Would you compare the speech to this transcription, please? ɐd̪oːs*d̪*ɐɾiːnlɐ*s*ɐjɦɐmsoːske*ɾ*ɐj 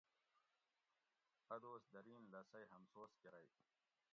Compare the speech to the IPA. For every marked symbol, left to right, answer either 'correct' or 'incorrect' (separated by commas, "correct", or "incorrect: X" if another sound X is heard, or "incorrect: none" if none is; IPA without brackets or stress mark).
correct, correct, correct